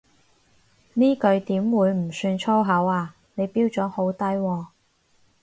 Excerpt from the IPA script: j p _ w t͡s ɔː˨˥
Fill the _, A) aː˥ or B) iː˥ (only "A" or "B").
B